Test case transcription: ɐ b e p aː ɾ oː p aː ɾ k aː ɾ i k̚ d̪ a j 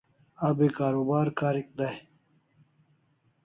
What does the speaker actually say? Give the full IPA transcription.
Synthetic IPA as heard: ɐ b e k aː ɾ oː b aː ɾ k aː ɾ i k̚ d̪ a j